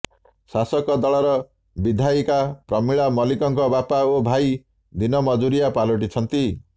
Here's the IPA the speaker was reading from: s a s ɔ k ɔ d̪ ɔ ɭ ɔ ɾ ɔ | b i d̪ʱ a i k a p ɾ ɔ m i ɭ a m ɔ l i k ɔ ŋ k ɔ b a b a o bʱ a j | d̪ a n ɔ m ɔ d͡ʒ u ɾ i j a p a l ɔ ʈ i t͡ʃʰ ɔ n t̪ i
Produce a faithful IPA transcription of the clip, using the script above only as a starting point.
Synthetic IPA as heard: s a s ɔ k ɔ d̪ ɔ ɭ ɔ ɾ ɔ | b i d̪ʱ a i k a p ɾ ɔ m i ɭ a m ɔ l i k ɔ ŋ k ɔ b a p a o bʱ a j | d̪ i n ɔ m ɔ d͡ʒ u ɾ i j a p a l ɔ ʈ i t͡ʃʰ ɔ n t̪ i